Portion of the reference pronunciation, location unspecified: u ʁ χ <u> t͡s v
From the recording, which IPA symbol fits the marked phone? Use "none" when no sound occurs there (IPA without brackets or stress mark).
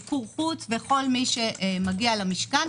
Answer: u